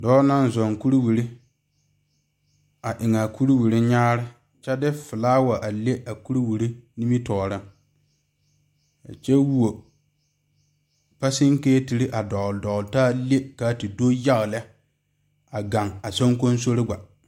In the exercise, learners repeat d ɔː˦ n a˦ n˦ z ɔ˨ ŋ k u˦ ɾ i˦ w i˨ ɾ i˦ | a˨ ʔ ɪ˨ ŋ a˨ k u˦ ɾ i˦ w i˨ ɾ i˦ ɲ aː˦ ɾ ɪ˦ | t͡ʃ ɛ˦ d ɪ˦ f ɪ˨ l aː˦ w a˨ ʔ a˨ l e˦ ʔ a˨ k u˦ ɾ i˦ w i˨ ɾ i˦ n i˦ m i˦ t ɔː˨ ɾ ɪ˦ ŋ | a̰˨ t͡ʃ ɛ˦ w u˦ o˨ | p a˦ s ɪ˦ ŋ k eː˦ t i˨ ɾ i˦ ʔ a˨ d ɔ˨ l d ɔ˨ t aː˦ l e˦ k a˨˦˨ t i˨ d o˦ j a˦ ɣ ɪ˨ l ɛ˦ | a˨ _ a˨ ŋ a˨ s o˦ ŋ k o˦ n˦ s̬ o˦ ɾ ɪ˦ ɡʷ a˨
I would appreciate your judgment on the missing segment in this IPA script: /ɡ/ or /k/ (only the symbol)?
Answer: ɡ